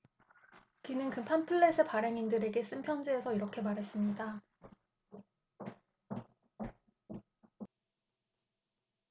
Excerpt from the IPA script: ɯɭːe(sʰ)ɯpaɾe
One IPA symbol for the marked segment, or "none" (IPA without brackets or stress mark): sʰ